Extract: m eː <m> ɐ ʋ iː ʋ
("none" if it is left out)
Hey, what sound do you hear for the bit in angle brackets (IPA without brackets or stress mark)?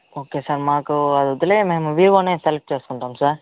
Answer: m